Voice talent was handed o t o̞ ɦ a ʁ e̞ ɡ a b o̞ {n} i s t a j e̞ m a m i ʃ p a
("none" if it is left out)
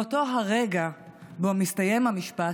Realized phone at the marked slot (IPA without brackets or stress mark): m